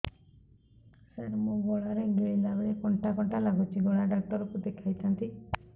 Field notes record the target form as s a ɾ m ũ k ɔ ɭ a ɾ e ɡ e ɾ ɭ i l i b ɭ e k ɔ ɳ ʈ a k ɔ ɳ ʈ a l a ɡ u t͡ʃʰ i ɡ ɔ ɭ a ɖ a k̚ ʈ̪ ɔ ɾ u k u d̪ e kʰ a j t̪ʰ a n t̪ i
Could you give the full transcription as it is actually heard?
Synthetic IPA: s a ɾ m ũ ɡ ɔ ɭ a ɾ e ɡ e ɭ i l a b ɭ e k ɔ ɳ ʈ a k ɔ ɳ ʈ a l a ɡ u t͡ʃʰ i ɡ ɔ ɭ a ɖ a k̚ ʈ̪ ɔ ɾ ɔ k u d̪ e kʰ a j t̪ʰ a n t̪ i